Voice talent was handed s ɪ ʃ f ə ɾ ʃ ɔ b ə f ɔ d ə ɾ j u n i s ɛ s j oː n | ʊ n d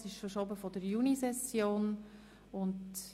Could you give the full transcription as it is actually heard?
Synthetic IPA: s ɪ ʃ f ə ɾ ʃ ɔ b ə f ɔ d ə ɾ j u n i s ɛ s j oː n | ʊ n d